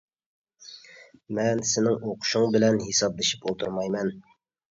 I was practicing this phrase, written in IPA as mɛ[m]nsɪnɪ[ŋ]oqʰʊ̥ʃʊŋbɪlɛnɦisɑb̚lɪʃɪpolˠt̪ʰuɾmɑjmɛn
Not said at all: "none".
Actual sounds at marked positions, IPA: none, ŋ

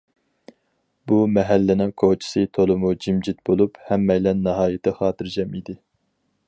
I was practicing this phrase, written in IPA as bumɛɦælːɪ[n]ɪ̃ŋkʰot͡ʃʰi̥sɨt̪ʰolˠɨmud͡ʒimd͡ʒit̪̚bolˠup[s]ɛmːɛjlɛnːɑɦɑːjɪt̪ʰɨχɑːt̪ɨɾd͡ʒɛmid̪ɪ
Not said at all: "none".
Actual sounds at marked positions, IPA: n, h

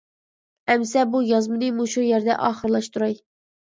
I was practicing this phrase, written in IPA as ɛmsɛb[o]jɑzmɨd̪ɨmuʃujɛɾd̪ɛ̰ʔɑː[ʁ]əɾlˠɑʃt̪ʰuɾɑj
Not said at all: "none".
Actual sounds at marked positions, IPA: u, χ

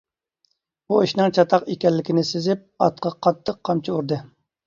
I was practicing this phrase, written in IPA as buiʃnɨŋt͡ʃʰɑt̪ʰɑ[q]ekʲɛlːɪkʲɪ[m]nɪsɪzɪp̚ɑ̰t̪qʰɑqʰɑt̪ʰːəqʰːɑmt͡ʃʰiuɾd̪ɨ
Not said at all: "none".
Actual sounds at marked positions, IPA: q, none

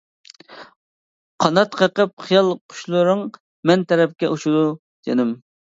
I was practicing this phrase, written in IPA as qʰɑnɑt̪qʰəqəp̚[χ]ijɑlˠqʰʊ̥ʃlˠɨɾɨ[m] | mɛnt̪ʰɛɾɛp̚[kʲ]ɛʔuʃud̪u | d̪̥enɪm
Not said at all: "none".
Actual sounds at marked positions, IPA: χ, ŋ, kʲ

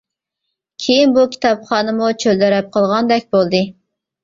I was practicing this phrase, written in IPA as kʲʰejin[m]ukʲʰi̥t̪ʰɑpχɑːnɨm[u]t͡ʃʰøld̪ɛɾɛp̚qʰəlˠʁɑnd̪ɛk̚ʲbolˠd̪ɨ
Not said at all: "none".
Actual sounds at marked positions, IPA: b, u

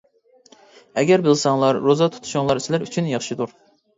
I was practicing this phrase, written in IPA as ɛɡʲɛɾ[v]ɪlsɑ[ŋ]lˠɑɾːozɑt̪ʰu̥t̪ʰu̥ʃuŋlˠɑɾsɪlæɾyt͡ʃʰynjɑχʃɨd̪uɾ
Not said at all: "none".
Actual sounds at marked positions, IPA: b, ŋ

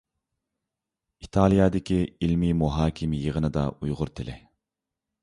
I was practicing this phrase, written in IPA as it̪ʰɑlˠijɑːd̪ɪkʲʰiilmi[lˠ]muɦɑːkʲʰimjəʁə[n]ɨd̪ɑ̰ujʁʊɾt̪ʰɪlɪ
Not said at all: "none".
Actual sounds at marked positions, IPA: none, n

